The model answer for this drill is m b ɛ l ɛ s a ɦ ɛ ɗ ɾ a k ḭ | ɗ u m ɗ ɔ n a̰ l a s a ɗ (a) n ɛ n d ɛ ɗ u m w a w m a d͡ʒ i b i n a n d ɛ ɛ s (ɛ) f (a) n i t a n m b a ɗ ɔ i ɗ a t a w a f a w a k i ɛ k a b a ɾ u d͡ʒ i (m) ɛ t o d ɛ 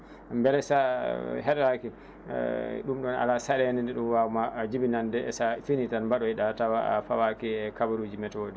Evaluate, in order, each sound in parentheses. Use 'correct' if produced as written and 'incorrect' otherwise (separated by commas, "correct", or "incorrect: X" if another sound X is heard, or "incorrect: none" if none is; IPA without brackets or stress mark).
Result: incorrect: ɛ, incorrect: a, incorrect: i, correct